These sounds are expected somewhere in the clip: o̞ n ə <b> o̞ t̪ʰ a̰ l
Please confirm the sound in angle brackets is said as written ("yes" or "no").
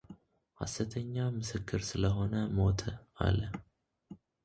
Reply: no